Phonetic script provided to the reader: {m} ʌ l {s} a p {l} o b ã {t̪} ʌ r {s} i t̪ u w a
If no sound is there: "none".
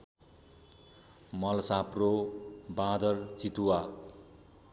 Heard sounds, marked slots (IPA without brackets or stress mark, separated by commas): m, s, r, d̪, t͡s